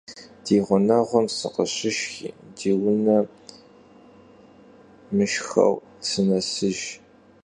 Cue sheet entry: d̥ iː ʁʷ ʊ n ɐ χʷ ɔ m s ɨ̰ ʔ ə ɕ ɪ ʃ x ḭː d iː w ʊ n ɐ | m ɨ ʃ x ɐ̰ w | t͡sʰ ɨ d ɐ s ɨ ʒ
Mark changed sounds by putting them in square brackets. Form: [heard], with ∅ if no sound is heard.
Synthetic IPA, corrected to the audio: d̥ iː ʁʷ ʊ n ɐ [ʁʷ] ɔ m s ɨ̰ [q] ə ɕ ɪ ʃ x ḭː d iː w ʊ n ɐ | m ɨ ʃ x ɐ̰ w | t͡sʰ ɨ [n] ɐ s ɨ ʒ

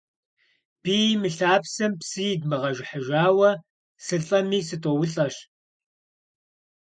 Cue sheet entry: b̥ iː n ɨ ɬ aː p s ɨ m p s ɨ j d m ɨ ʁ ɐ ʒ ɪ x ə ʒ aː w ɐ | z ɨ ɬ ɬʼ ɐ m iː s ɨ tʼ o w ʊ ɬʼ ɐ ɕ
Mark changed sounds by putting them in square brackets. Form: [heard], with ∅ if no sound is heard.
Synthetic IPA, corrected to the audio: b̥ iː [m] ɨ ɬ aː p s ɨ m p s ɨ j d m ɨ ʁ ɐ ʒ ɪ [ħ] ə ʒ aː w ɐ | [s] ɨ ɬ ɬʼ ɐ m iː s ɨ tʼ o w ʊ ɬʼ ɐ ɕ

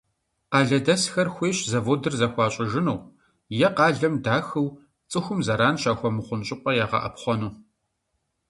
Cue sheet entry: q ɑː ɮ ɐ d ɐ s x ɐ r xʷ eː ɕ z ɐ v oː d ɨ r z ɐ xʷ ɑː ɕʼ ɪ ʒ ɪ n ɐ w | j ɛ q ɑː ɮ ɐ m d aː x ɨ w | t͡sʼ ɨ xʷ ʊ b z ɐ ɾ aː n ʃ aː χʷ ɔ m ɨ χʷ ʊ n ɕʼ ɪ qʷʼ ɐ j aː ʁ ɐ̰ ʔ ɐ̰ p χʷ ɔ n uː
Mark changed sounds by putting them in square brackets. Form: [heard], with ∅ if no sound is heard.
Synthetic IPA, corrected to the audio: q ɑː ɮ ɐ d ɐ s x ɐ r xʷ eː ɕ z ɐ v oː d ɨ r z ɐ xʷ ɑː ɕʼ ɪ ʒ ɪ n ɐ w | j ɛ q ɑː ɮ ɐ m d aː x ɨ w | t͡sʼ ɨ xʷ ʊ [m] z ɐ ɾ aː n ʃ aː [xʷ] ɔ m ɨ χʷ ʊ n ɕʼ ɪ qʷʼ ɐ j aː ʁ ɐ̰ ʔ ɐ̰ p χʷ ɔ n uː

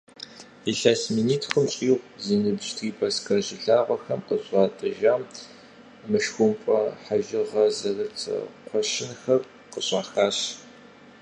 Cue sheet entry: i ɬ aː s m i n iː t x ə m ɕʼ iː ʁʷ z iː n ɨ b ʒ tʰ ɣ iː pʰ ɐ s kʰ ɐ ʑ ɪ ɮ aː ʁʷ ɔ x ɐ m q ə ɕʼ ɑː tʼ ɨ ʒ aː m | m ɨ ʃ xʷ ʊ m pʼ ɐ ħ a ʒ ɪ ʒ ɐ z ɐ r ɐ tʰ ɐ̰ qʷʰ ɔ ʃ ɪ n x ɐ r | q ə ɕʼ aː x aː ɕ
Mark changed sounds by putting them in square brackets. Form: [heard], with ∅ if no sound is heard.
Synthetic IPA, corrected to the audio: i ɬ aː s m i n iː t x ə m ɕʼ iː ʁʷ z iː n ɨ b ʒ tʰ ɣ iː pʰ ɐ s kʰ ɐ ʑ ɪ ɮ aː ʁʷ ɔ x ɐ m q ə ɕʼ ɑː tʼ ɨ ʒ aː m | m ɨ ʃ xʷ ʊ m pʼ ɐ ħ a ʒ ɪ [ʁ] ɐ z ɐ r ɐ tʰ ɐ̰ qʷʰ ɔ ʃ ɪ n x ɐ r | q ə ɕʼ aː x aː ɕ

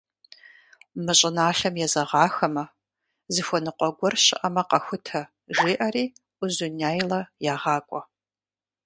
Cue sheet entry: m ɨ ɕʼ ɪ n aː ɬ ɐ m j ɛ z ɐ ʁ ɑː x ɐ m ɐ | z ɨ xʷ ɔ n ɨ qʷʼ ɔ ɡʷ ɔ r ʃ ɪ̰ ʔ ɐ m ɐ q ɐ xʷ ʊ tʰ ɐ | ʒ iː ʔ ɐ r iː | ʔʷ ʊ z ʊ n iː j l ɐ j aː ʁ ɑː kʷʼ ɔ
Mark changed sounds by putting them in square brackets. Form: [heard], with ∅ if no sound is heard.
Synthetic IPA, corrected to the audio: m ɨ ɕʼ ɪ n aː ɬ ɐ m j ɛ z ɐ ʁ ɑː x ɐ m ɐ | z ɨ xʷ ɔ n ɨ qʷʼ ɔ ɡʷ ɔ r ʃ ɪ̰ ʔ ɐ m ɐ q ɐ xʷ ʊ tʰ ɐ | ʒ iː ʔ ɐ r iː | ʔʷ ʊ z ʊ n [aː] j l ɐ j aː ʁ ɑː kʷʼ ɔ

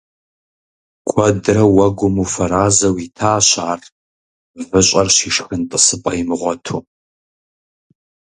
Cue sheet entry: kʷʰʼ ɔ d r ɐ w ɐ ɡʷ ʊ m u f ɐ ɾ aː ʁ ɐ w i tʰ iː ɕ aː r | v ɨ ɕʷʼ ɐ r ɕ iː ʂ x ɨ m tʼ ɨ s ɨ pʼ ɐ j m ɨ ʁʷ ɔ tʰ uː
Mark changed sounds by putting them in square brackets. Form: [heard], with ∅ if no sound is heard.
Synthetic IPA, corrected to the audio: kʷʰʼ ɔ d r ɐ w ɐ ɡʷ ʊ m u f ɐ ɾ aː [z] ɐ w i tʰ [aː] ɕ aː r | v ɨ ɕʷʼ ɐ r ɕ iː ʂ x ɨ [n] tʼ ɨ s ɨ pʼ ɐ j m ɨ ʁʷ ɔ tʰ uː

